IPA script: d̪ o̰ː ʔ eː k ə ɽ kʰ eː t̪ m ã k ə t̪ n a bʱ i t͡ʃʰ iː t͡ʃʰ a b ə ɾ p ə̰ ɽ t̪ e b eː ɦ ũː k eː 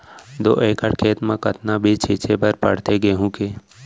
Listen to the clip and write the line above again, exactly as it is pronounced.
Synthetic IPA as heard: d̪ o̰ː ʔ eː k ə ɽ kʰ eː t̪ m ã k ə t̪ n a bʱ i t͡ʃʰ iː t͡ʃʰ e b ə ɾ p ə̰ ɽ t̪ e ɡ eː ɦ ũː k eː